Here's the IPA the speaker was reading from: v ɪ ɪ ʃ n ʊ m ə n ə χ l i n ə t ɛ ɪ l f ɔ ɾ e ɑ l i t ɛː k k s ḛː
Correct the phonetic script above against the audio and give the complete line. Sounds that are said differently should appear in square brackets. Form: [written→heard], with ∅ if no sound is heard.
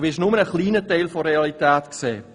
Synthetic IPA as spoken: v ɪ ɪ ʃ n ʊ m ə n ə χ l [i→iː] n ə t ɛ ɪ l f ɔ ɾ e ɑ l i t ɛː [k→t] k s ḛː